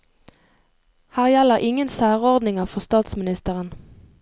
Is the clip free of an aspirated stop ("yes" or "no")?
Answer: yes